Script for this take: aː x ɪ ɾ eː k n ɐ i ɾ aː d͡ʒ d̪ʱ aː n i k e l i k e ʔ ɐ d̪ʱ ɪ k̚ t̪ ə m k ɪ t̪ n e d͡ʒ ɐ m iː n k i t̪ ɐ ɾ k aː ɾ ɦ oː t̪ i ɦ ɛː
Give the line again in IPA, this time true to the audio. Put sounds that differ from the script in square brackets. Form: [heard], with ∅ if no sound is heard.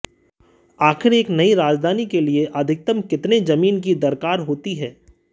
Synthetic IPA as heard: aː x ɪ ɾ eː k n ɐ i ɾ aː d͡ʒ d̪ʱ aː n i k e l i [∅] e ʔ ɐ d̪ʱ ɪ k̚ t̪ ə m k ɪ t̪ n e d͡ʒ ɐ m iː n k i [d̪] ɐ ɾ k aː ɾ ɦ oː t̪ i ɦ ɛː